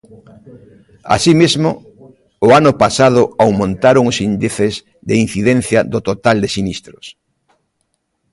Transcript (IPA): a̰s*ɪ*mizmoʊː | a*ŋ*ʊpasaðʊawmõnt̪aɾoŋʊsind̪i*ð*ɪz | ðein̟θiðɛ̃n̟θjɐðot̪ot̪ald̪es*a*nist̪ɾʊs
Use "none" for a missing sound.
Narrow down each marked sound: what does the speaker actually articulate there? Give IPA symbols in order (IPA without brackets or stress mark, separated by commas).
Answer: i, n, θ, i